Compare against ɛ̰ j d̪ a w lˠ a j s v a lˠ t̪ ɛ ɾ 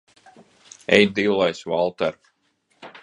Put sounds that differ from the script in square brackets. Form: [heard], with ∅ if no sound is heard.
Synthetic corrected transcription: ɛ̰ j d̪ [i] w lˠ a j s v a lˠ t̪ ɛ ɾ